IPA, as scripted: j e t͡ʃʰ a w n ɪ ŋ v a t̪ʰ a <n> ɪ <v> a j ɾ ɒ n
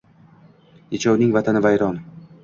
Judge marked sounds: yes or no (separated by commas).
yes, yes